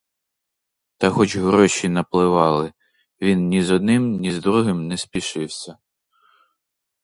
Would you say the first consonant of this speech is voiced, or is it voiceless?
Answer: voiceless